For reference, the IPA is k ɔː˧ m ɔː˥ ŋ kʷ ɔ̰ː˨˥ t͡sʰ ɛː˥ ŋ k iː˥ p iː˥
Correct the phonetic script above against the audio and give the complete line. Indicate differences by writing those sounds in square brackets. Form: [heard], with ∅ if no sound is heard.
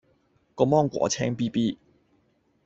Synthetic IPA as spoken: k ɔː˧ m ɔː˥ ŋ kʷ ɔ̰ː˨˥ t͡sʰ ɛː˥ ŋ [p] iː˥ p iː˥